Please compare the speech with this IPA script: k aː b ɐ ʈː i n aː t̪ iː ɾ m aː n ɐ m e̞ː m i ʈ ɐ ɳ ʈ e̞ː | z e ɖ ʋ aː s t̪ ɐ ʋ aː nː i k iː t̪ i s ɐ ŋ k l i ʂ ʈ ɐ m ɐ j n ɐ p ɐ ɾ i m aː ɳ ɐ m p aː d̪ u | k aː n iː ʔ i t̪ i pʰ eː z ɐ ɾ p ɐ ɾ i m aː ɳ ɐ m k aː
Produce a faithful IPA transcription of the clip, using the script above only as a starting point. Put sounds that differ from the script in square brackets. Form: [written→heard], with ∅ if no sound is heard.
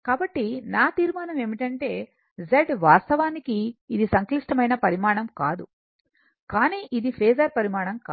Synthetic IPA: k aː b ɐ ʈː i n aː t̪ iː ɾ m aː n ɐ m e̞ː m i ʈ ɐ ɳ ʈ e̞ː | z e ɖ ʋ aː s t̪ ɐ ʋ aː [nː→n] i k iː [t̪→d̪] i s ɐ ŋ k l i ʂ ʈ ɐ m ɐ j n ɐ p ɐ ɾ i m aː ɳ ɐ m [p→k] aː d̪ u | k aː n iː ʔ i [t̪→d̪] i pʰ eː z ɐ ɾ p ɐ ɾ i m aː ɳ ɐ m k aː